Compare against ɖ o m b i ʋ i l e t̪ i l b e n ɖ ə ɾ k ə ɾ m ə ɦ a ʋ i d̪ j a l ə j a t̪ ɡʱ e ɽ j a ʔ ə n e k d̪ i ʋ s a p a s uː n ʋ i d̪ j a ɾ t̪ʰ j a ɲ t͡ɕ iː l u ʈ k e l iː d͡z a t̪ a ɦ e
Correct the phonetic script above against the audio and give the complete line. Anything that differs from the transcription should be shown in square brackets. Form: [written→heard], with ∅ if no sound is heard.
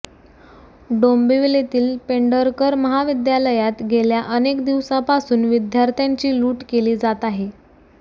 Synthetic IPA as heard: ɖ o m b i ʋ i l e t̪ [i→iː] l [b→p] e [n→ɳ] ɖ ə ɾ k ə ɾ m ə ɦ a ʋ i d̪ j a l ə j a t̪ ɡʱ e [ɽ→l] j a ʔ ə n e k d̪ i ʋ s a p a s uː n ʋ i d̪ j a ɾ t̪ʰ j a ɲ t͡ɕ iː l [u→uː] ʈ k e l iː d͡z a t̪ a ɦ e